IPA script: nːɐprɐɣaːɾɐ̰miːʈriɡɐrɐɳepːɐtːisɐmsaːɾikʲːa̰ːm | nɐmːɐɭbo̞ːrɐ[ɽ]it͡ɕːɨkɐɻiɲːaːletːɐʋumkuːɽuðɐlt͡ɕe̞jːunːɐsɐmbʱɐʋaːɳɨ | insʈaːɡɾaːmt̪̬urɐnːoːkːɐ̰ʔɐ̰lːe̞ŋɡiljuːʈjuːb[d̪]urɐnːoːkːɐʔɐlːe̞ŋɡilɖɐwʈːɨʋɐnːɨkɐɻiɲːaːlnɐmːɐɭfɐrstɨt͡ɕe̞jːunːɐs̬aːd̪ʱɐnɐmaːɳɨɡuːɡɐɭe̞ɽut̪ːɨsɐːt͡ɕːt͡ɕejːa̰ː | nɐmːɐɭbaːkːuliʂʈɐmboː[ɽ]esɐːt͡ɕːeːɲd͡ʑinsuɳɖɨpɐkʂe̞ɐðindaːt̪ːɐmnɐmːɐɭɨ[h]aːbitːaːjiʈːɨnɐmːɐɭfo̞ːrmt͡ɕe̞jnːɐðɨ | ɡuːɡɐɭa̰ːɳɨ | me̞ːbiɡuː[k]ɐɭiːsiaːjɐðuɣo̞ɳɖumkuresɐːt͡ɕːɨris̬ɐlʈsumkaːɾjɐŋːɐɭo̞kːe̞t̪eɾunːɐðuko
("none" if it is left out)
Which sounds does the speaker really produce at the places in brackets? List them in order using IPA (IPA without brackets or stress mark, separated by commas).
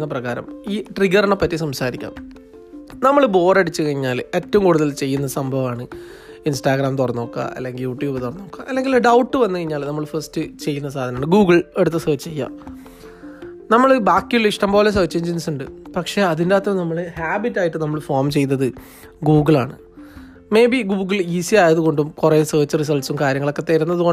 ɽ, t̪, l, h, ɡ